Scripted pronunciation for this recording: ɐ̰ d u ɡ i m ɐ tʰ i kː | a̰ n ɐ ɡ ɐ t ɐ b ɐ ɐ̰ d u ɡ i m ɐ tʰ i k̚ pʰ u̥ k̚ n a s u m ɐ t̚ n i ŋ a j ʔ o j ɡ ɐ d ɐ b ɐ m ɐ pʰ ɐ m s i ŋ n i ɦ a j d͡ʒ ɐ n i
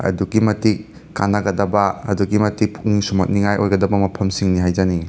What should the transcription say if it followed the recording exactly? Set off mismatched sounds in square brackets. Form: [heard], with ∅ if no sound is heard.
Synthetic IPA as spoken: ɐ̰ d u ɡ i m ɐ [t] i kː | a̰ n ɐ ɡ ɐ [d] ɐ b ɐ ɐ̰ d u ɡ i m ɐ [t] i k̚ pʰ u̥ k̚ n [i] s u m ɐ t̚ n i ŋ a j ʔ o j ɡ ɐ d ɐ b ɐ m ɐ pʰ ɐ m s i ŋ n i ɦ a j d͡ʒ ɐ n i